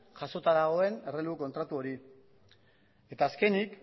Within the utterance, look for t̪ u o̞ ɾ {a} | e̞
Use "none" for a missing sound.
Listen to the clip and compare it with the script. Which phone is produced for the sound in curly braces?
i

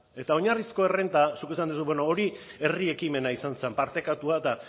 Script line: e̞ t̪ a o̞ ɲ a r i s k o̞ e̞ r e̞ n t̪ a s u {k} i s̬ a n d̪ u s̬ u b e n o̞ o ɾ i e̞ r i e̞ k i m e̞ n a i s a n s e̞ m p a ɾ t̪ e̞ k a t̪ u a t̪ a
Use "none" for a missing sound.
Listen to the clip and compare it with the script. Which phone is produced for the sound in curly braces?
k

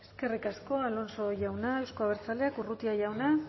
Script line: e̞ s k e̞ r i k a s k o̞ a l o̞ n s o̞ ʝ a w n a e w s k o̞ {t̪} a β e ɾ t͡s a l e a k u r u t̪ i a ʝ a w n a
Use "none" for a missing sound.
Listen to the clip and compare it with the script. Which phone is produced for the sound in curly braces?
none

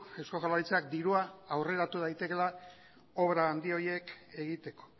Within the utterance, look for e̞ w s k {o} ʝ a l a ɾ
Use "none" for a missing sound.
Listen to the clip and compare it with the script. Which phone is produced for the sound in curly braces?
o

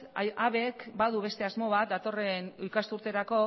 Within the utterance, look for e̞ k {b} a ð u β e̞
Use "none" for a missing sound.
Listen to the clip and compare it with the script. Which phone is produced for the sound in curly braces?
b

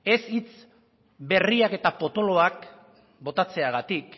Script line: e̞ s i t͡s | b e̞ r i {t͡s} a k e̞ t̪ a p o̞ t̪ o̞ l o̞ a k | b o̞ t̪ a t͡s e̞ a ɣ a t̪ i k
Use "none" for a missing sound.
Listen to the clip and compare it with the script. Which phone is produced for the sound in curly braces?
none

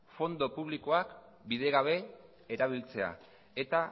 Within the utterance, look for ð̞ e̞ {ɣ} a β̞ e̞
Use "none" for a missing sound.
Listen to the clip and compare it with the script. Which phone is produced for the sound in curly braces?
ɣ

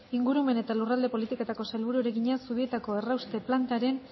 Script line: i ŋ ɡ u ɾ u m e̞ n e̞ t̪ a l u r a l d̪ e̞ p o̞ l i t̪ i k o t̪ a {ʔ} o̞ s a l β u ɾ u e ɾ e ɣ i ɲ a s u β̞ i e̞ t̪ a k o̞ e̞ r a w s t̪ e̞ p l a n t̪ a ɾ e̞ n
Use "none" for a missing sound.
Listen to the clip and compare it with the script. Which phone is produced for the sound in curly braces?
k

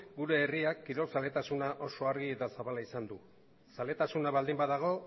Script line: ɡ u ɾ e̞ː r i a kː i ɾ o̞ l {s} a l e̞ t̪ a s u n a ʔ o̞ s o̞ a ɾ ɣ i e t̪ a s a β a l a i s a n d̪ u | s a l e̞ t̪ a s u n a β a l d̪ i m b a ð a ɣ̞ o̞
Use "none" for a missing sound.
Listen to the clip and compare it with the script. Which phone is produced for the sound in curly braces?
s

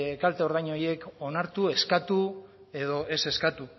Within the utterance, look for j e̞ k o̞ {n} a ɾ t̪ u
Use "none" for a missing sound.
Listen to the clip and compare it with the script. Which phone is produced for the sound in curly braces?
n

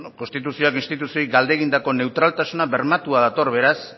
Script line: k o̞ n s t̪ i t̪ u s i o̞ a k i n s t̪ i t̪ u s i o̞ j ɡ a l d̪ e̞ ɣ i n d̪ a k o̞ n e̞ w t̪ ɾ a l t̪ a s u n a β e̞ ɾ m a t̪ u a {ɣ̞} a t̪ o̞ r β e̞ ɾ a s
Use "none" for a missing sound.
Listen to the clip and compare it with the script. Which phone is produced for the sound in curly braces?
ð̞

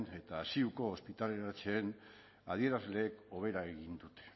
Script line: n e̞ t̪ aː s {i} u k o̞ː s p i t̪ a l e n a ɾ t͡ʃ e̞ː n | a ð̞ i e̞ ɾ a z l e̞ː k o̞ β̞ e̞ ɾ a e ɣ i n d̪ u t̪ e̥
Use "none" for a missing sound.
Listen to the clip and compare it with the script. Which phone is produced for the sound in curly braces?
i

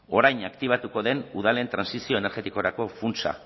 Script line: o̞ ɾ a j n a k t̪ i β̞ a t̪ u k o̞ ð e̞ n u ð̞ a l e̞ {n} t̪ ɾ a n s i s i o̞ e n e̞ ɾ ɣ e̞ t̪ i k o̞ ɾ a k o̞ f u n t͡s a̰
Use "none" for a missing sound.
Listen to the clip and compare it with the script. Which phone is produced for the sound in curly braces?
n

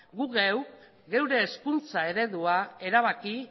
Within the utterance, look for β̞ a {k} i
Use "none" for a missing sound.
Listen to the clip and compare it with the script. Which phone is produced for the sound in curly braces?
k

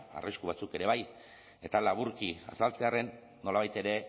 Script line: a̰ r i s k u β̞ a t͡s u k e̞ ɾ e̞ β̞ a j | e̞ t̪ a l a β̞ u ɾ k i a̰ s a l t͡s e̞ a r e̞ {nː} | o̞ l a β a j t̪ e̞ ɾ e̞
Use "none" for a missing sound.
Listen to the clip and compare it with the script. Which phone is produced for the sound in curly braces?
nː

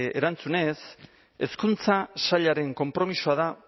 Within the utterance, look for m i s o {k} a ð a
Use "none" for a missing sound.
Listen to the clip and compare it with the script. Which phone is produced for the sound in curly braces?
none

